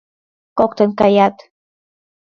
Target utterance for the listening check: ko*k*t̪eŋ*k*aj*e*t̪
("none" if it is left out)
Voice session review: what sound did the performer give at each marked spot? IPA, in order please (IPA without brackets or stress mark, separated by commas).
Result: k, k, a